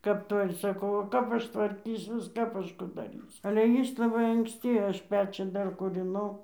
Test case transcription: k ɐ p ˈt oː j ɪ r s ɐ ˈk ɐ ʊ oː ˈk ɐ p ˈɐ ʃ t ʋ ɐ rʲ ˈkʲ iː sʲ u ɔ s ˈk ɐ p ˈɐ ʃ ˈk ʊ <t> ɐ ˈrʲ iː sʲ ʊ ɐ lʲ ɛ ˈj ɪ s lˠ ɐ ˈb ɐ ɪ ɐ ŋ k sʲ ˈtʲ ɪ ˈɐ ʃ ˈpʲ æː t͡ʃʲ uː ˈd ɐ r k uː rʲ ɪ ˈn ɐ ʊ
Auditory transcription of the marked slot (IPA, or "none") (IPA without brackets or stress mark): d